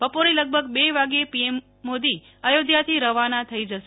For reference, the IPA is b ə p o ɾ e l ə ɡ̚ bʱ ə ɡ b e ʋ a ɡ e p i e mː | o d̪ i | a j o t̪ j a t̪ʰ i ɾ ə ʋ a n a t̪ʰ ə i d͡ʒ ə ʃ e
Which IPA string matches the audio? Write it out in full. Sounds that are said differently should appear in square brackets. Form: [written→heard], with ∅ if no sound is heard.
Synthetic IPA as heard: b ə p o ɾ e l ə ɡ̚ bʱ ə ɡ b e ʋ a ɡ e p i e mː | o d̪ i | [a→ə] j o [t̪→d̪] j a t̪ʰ i ɾ ə ʋ a n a t̪ʰ ə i d͡ʒ ə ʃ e